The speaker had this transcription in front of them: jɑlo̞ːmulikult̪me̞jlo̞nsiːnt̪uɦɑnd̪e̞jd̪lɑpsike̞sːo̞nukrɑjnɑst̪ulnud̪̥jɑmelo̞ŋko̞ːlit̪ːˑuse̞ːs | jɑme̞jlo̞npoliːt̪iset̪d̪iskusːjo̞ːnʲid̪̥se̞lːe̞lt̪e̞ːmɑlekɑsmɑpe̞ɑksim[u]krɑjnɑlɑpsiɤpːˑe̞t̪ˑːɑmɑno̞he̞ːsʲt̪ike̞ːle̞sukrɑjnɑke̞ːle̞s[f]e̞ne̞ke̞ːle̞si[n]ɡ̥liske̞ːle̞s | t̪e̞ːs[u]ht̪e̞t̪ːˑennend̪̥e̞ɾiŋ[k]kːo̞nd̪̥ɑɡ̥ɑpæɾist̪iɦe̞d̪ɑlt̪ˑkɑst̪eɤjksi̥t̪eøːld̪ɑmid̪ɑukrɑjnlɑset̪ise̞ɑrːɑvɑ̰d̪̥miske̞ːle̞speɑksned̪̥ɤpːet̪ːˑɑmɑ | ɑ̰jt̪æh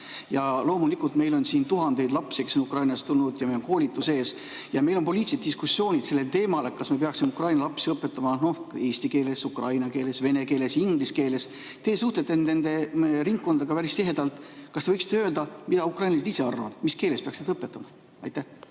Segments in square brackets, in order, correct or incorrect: correct, incorrect: v, incorrect: ŋ, correct, correct

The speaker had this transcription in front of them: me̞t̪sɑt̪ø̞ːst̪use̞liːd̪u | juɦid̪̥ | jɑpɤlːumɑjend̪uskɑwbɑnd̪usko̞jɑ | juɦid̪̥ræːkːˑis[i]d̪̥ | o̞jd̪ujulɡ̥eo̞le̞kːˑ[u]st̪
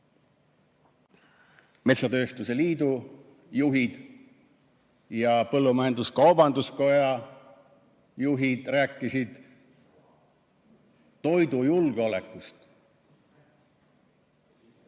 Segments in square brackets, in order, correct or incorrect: correct, correct

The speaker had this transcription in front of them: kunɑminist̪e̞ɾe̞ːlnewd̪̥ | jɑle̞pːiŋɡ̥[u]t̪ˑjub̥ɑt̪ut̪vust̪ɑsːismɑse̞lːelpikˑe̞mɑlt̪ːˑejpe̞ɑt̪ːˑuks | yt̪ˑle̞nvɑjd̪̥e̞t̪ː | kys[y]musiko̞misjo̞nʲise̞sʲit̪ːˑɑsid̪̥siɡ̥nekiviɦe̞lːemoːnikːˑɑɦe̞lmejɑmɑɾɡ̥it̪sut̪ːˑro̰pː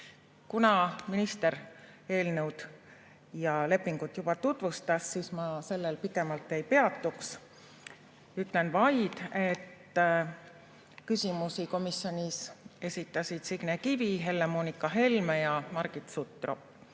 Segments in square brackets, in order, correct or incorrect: correct, incorrect: i

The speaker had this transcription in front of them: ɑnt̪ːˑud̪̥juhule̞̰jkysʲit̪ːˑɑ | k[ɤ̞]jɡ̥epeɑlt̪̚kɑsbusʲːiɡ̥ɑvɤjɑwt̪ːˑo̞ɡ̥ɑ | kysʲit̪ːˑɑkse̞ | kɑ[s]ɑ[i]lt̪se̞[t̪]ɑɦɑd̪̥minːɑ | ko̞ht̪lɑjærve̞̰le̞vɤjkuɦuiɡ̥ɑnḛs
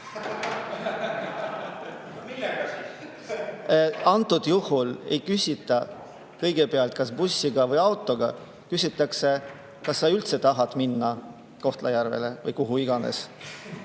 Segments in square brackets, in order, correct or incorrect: correct, incorrect: sː, incorrect: y, correct

